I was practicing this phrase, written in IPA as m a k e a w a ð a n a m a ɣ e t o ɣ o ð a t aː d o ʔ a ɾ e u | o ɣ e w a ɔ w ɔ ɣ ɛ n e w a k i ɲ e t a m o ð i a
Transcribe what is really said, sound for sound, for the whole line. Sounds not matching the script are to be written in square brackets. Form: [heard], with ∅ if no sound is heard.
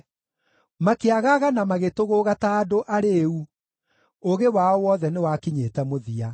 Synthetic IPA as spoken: m a k e a [ɣ] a [ɣ] a n a m a ɣ e t o ɣ o [ɣ] a t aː d o ʔ a ɾ e u | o ɣ e w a ɔ w ɔ [ð] ɛ n e w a k i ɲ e t [ɛ] m o ð i a